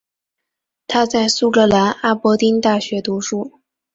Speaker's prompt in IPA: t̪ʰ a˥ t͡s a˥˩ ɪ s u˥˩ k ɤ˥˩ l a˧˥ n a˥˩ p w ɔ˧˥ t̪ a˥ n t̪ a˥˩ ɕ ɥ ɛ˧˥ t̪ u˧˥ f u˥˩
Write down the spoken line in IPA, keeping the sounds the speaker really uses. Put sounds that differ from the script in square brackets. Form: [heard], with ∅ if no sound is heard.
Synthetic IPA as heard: t̪ʰ a˥ t͡s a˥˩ ɪ s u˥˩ k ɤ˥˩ l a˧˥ n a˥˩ p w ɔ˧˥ t̪ [i˥] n t̪ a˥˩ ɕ ɥ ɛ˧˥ t̪ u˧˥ [ʂ] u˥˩